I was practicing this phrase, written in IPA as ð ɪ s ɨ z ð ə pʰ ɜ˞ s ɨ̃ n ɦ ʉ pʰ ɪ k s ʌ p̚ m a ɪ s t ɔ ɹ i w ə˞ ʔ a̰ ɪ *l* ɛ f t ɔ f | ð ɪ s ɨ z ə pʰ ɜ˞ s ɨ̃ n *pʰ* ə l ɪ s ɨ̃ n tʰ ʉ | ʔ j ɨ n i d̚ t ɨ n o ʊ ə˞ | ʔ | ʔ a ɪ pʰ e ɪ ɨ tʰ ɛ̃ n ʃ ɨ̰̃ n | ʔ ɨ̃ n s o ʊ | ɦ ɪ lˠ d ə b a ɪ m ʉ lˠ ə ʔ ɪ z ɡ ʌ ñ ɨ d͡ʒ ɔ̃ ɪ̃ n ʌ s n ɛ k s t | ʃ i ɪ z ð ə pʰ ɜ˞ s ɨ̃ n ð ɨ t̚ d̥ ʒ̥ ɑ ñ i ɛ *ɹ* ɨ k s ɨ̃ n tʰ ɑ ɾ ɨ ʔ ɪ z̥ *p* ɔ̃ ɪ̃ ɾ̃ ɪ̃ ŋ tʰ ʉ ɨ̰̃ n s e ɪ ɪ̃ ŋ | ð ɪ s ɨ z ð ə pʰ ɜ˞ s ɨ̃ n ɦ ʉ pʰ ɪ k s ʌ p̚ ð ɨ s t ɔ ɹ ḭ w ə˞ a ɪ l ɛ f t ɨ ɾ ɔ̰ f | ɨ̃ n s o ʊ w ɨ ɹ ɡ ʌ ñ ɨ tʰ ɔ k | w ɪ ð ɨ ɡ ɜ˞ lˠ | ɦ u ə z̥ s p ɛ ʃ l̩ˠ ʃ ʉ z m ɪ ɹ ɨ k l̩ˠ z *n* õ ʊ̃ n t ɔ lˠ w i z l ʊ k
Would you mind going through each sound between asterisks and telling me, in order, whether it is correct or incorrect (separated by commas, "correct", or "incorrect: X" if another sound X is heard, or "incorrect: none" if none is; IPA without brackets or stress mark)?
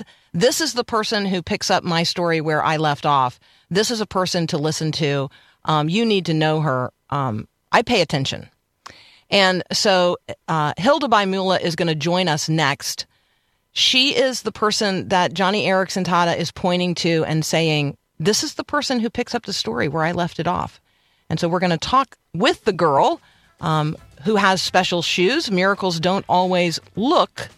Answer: correct, incorrect: tʰ, correct, incorrect: pʰ, incorrect: d